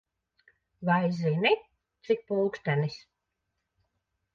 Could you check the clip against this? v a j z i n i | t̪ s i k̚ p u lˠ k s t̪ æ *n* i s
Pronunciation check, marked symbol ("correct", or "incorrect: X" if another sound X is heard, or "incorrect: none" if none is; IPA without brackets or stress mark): correct